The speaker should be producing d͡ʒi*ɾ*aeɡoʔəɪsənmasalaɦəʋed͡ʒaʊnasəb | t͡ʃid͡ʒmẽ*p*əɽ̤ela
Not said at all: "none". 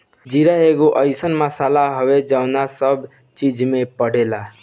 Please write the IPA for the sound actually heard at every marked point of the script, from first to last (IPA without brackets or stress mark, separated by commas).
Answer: ɾ, p